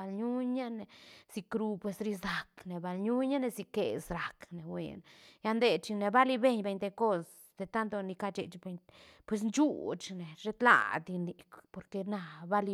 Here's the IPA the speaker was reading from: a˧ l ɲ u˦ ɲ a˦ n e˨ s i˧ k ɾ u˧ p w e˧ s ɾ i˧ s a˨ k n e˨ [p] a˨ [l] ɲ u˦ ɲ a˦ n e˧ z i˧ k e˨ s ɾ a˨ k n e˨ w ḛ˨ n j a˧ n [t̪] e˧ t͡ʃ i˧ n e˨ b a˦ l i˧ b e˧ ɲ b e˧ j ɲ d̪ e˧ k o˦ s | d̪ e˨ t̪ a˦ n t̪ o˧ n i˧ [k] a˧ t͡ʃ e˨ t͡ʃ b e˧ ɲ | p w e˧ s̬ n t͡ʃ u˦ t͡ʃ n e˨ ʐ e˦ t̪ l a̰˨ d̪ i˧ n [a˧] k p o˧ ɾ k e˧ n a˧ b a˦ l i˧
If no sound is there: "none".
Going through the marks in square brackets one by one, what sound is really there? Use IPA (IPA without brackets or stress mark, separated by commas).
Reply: b, l, d̪, k, i˧